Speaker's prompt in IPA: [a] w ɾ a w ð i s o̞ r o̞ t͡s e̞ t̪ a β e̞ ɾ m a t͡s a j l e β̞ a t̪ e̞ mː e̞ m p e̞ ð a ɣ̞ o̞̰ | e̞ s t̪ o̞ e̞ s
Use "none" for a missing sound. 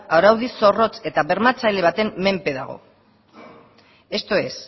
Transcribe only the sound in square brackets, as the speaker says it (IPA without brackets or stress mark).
a